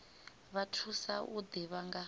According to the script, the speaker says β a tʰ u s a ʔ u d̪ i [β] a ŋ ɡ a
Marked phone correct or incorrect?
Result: correct